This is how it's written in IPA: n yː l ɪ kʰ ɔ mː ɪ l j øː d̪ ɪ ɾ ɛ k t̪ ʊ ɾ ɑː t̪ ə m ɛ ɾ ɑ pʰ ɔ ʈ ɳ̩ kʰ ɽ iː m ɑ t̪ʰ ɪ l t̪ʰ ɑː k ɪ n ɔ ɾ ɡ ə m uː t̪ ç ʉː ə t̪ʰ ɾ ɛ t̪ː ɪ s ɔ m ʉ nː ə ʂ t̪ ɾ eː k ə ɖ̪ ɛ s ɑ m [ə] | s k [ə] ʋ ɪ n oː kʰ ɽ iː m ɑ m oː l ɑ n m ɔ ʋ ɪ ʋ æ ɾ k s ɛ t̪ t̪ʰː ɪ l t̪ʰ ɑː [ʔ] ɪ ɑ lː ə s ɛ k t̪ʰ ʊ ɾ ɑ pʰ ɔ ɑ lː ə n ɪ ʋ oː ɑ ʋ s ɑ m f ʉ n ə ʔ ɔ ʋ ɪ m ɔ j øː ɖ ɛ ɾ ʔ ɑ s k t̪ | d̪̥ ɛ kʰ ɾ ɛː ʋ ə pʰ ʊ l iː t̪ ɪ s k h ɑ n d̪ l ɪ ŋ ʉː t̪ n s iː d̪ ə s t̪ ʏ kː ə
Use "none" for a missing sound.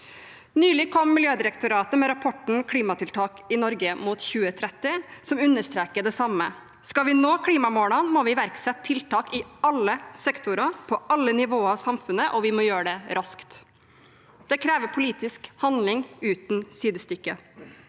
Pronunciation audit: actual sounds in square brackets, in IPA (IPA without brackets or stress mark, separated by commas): ə, ɑ, k